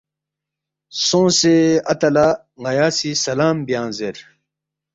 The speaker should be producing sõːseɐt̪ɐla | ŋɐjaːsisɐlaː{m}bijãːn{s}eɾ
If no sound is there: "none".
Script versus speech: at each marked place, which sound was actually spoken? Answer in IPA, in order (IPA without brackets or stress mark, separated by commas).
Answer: m, z